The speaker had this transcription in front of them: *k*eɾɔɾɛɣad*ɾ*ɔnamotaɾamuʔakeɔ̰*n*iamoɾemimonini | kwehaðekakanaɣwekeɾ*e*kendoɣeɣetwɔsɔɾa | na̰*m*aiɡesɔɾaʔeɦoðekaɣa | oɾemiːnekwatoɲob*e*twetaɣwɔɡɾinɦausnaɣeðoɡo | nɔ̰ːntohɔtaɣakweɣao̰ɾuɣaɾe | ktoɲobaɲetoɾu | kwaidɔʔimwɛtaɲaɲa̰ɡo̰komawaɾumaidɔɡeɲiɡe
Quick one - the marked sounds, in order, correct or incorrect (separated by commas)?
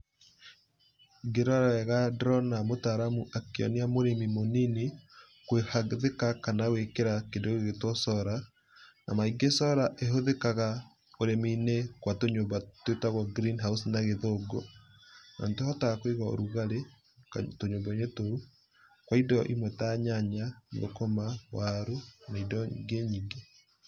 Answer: incorrect, correct, correct, incorrect, correct, incorrect